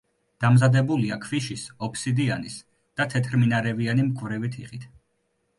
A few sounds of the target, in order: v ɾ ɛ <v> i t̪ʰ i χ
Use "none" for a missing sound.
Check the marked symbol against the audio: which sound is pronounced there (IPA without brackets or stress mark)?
v